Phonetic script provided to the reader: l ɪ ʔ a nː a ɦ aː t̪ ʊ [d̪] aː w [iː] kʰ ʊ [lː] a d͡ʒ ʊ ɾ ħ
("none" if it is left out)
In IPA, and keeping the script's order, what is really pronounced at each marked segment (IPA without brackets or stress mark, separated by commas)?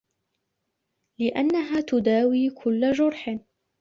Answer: d̪, iː, lː